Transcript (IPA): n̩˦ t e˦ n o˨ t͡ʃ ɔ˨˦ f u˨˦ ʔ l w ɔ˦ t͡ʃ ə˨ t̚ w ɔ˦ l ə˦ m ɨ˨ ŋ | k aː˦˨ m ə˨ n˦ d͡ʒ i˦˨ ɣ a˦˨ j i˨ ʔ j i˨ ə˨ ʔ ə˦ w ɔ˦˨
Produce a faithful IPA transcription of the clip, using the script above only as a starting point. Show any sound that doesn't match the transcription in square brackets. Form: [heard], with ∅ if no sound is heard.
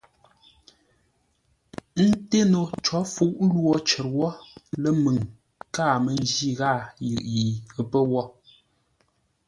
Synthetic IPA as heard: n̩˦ t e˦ n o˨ t͡ʃ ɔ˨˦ f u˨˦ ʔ l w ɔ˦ t͡ʃ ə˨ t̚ w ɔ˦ l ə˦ m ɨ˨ ŋ | k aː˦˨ m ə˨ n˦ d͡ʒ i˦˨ ɣ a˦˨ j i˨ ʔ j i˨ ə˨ [p] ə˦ w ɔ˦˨